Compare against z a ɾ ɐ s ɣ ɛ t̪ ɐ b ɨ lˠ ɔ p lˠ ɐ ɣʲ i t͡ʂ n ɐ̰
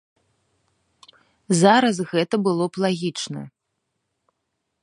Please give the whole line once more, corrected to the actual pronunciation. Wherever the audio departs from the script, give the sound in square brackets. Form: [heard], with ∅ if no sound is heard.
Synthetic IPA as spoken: z a ɾ ɐ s ɣ ɛ t̪ ɐ b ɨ lˠ ɔ p lˠ [a] ɣʲ i t͡ʂ n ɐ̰